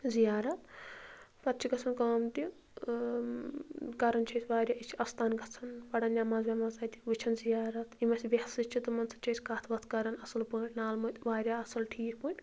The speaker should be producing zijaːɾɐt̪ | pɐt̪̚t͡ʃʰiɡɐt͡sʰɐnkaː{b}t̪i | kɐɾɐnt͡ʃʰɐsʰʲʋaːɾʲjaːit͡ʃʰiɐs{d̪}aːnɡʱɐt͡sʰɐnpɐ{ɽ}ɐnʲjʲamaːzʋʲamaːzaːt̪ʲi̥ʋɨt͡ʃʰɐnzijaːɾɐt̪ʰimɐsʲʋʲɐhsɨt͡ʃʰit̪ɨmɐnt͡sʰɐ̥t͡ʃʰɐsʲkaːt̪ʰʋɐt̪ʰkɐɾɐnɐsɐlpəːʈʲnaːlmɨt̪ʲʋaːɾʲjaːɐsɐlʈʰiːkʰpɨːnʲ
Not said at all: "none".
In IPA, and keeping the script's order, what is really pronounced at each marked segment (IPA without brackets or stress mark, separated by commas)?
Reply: m, t̪, ɽ